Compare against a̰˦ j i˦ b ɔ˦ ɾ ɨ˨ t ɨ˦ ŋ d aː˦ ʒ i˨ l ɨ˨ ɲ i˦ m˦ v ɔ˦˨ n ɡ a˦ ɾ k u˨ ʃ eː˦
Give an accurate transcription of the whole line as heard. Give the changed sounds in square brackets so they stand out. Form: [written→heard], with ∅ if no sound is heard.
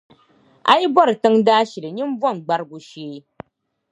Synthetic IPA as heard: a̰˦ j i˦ b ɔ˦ ɾ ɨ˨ t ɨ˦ ŋ d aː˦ [ʒ→ʃ] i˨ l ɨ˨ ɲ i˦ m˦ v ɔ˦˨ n [ɡ→ɡ͡b] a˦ ɾ [k→ɡ] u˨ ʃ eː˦